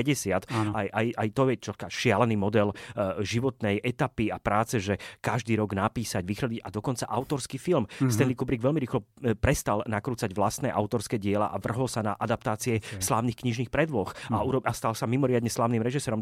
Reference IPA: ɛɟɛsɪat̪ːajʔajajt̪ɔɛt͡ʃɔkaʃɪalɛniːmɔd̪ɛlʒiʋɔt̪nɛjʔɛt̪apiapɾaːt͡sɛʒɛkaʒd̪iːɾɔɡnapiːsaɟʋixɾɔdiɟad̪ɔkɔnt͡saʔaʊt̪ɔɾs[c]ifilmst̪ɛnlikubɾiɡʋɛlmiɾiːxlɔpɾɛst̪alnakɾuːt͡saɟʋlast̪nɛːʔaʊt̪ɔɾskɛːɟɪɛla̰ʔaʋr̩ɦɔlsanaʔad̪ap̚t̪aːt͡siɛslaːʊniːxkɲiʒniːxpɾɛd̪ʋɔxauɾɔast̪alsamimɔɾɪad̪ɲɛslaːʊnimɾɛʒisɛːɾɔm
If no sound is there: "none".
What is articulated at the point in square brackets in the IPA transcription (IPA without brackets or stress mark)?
k